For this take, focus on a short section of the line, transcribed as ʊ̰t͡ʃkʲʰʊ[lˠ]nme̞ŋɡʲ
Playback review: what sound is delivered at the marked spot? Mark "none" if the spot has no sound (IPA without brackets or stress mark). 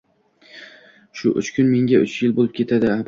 none